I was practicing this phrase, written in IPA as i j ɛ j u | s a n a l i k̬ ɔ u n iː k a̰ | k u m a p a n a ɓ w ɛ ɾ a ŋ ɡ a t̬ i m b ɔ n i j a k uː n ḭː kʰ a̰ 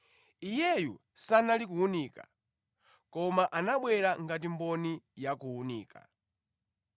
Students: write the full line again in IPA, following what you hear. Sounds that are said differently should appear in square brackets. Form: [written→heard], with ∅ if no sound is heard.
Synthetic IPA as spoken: i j ɛ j u | s a n a l i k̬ [ɔ→u] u n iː k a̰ | k [u→ɔ] m a [p→ʔ] a n a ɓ w ɛ ɾ a ŋ ɡ a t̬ i m b ɔ n i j a k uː n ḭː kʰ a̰